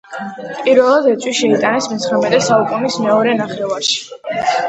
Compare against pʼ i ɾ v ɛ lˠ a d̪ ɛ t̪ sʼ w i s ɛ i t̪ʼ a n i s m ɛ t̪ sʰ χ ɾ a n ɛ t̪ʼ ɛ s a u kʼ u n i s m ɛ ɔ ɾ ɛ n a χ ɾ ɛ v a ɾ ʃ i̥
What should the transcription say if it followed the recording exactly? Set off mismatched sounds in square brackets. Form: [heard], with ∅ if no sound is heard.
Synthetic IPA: pʼ i ɾ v ɛ lˠ a d̪ ɛ t̪ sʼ w i [ʃ] ɛ i t̪ʼ a n [ɛ] s m ɛ t̪ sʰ χ ɾ a [m] ɛ t̪ʼ ɛ s a u kʼ u n i s m ɛ ɔ ɾ ɛ n a χ ɾ ɛ v a ɾ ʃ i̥